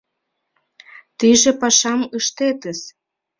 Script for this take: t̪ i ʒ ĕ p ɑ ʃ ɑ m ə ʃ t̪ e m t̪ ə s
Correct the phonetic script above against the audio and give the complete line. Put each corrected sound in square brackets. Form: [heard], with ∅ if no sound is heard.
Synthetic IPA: t̪ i ʒ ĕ p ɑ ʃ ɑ m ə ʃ t̪ e [∅] t̪ ə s

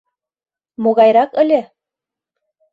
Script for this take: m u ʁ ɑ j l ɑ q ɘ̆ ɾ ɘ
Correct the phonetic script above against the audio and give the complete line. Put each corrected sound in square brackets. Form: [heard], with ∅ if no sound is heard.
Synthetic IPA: m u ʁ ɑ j [ɾ] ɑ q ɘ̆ [l] ɘ

